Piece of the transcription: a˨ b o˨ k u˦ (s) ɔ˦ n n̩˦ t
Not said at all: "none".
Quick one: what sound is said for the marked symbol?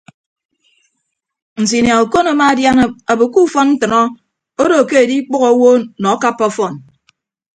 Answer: f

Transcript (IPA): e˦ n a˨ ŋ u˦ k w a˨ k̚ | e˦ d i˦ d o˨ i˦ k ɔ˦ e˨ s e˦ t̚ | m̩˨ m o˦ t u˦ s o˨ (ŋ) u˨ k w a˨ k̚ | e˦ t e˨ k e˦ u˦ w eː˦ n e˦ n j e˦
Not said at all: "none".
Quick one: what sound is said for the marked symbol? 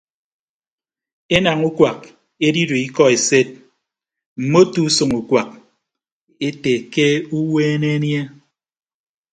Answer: ŋ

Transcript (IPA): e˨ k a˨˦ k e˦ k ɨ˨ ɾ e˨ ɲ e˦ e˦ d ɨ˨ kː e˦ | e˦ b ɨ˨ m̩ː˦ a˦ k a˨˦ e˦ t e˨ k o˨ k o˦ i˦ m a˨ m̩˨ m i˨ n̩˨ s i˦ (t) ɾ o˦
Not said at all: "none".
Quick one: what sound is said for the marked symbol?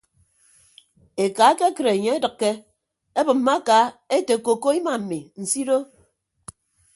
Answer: none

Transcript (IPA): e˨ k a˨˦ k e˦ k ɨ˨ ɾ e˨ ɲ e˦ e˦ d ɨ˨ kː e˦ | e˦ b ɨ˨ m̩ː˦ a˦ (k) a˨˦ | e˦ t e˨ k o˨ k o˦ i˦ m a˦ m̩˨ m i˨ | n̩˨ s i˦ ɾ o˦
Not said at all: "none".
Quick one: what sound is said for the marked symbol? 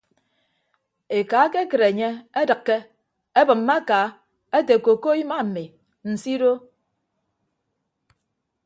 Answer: k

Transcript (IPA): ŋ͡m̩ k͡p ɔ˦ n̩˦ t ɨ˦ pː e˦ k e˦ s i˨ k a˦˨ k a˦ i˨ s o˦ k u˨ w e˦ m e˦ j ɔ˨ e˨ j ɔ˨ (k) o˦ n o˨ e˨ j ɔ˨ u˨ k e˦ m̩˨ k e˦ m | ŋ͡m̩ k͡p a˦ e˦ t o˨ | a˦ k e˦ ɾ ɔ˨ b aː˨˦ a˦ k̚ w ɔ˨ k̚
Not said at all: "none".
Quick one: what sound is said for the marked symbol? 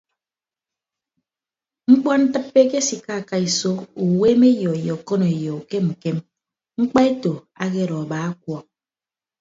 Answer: k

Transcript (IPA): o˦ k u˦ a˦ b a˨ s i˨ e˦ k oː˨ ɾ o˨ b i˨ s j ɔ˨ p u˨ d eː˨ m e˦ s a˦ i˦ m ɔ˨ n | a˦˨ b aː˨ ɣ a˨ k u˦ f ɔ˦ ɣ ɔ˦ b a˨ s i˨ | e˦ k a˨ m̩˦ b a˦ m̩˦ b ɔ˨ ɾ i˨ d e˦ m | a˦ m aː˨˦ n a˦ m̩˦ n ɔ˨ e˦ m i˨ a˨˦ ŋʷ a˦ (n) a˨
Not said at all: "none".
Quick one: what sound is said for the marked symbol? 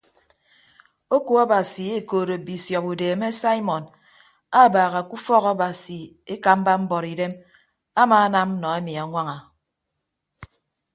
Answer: ŋ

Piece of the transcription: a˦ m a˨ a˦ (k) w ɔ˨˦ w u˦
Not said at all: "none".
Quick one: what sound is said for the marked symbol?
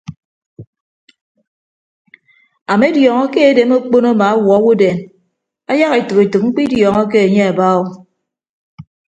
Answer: none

